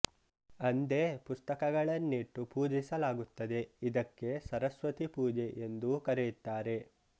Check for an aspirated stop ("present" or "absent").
absent